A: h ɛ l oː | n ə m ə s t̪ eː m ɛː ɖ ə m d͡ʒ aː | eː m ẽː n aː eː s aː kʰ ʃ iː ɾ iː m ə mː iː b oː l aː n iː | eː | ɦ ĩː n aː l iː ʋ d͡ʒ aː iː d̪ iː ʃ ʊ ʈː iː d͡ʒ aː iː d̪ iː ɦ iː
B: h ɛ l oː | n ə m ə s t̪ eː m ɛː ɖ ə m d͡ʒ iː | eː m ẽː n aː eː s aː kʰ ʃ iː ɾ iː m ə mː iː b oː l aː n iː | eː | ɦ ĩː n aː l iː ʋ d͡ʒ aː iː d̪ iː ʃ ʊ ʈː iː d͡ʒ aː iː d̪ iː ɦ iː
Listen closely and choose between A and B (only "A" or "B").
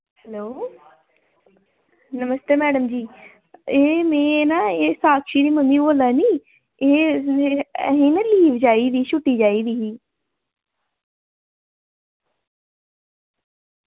B